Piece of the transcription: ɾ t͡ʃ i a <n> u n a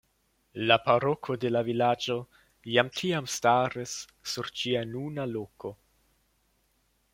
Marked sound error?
no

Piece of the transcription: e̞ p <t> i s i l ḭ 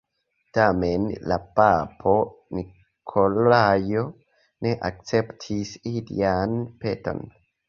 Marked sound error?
yes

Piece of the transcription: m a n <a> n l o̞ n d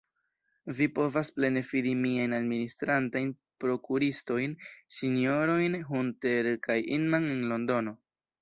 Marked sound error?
yes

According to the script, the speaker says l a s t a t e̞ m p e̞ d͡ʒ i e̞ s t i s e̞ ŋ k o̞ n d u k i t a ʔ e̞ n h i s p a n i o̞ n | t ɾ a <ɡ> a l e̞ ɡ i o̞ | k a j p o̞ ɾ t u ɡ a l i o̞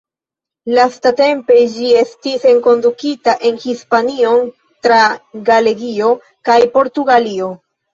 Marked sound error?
no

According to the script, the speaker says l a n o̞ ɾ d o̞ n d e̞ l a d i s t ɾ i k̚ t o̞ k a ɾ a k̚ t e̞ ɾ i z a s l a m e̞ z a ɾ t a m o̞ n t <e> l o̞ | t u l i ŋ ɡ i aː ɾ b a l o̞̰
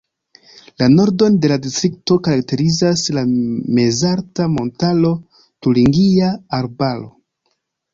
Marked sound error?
yes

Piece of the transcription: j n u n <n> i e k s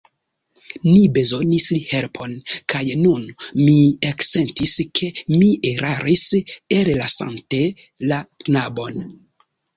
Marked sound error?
yes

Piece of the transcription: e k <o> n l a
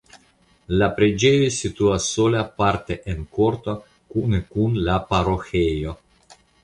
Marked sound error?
yes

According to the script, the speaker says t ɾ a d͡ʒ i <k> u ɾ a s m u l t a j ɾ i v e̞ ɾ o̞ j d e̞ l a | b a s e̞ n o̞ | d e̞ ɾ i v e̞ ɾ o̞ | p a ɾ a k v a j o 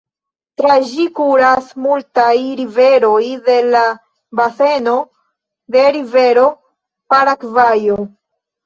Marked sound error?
no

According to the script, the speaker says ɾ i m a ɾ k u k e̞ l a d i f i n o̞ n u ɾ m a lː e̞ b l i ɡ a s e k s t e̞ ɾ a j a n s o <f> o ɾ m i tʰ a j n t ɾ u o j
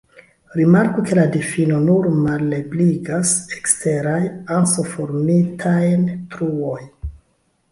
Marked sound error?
no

